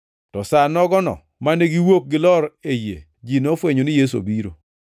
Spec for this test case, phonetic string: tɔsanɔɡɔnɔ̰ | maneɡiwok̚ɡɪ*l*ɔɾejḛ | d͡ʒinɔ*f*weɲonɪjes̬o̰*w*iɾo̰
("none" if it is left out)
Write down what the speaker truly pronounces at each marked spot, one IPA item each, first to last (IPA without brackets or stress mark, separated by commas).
l, f, b